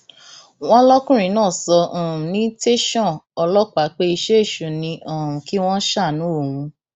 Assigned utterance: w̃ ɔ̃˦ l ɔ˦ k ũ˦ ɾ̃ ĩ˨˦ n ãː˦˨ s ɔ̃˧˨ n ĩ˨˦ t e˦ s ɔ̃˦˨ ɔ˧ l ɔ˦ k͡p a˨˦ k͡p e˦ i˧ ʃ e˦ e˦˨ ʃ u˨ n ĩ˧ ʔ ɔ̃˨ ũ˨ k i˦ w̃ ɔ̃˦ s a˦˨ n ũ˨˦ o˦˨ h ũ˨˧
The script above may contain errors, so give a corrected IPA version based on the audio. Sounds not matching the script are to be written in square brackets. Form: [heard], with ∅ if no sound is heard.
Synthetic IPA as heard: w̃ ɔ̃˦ l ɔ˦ k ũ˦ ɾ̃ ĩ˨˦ n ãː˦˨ s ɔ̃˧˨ n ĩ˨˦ t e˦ [ʃ] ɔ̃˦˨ ɔ˧ l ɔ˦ k͡p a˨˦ k͡p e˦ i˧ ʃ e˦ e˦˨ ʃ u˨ n ĩ˧ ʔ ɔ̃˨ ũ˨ k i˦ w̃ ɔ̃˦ [ʃ] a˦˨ n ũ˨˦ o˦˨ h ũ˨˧